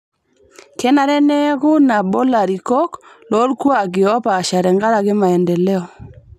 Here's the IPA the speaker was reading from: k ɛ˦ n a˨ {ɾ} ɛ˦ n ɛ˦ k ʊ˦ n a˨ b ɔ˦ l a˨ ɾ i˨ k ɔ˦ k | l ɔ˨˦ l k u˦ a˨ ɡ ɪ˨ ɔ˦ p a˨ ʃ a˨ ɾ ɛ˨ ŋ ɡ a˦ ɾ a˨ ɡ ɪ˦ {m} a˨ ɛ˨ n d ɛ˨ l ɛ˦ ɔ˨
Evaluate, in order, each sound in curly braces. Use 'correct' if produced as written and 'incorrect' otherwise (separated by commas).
correct, correct